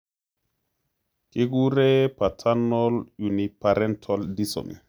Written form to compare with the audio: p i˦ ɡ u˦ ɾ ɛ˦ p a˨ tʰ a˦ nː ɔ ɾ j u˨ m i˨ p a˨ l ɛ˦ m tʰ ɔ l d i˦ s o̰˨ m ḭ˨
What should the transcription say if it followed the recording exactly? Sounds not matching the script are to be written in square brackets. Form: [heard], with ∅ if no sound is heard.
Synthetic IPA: [k] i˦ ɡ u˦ ɾ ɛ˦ p a˨ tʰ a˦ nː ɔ [l] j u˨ [n] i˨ p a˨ [ɾ] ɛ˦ [n] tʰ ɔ l d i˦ s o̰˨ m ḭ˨